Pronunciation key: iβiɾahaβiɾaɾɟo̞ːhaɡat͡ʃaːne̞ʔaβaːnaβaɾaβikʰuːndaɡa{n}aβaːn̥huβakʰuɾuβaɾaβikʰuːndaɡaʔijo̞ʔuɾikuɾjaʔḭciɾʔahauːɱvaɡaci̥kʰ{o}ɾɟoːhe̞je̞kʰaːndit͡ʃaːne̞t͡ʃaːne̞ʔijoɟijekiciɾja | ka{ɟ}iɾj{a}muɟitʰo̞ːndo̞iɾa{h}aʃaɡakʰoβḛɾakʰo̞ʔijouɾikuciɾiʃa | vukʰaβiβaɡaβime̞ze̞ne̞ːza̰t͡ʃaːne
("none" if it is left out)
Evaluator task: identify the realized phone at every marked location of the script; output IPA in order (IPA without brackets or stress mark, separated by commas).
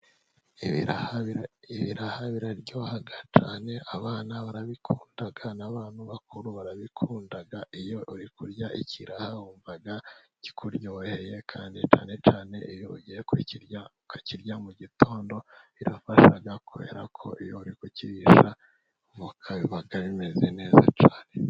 n, u, c, a, f